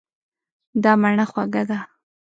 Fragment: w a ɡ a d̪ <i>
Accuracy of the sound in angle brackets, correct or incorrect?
incorrect